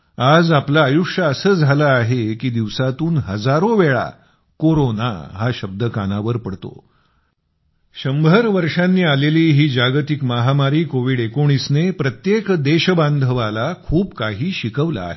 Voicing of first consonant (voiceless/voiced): voiced